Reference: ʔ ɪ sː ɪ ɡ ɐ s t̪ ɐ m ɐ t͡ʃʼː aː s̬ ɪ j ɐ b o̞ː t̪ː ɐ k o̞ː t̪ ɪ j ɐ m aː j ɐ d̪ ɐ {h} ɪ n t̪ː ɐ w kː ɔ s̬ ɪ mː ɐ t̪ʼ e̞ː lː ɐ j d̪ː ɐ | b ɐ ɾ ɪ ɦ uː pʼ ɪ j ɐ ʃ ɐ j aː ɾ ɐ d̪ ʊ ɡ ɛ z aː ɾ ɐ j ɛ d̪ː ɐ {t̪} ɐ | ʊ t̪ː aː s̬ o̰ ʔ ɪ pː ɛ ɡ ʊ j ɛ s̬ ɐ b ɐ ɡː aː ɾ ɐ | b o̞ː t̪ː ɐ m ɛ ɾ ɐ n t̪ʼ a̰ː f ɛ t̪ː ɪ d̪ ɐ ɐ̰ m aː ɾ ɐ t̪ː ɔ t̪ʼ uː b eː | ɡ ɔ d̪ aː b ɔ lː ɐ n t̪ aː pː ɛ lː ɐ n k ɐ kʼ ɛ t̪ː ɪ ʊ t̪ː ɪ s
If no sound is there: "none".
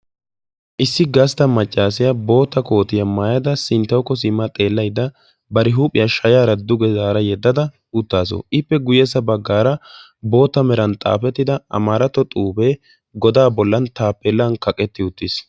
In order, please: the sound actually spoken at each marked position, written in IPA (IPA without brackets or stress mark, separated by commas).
s, d̪